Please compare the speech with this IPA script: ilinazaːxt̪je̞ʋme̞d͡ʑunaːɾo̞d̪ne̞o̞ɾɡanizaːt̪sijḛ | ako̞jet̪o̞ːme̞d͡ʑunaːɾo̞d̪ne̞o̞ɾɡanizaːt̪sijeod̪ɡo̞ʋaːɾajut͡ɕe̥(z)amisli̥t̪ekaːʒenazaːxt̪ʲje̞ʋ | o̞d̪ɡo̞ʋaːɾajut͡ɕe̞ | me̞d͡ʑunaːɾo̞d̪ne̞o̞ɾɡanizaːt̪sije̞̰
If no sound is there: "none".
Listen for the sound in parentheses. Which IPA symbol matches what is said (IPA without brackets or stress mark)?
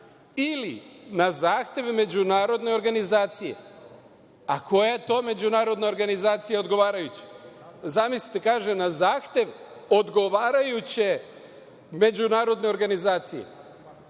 z